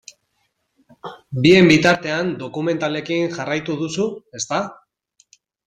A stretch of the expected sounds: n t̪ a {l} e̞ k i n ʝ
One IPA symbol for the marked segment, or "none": l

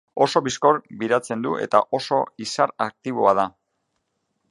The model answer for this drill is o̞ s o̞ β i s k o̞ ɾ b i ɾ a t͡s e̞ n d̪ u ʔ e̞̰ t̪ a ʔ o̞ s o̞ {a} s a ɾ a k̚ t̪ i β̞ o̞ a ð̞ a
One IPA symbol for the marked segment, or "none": i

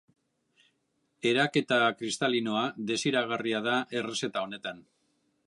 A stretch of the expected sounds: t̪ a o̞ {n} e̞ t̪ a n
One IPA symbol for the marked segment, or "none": n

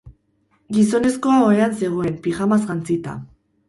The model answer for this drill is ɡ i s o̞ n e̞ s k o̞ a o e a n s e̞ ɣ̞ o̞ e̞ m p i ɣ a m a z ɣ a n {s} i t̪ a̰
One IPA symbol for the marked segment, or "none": t͡s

